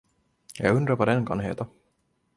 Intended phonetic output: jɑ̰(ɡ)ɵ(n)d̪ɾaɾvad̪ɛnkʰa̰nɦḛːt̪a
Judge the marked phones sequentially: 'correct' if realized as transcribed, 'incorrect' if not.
correct, correct

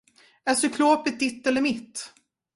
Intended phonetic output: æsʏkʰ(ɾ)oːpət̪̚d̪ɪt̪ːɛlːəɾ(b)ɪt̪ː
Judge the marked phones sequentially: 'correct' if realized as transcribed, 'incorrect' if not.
incorrect: l, incorrect: m

